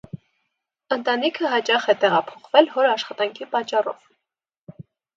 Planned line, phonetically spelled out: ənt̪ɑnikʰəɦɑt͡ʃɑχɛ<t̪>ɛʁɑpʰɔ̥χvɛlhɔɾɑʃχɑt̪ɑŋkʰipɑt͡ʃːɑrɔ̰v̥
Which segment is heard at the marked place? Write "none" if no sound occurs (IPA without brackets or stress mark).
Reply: t̪